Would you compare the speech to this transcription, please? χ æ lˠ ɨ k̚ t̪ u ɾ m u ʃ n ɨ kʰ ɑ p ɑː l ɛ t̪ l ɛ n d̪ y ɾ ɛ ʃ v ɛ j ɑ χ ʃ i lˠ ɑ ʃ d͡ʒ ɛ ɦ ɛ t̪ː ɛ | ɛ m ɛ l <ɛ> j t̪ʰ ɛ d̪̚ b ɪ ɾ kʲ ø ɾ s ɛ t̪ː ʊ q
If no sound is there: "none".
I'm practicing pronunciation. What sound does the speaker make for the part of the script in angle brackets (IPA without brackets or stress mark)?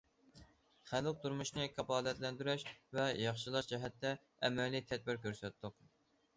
i